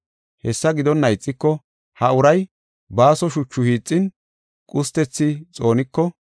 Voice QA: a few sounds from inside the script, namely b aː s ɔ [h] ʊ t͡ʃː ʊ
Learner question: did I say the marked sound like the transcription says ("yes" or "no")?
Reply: no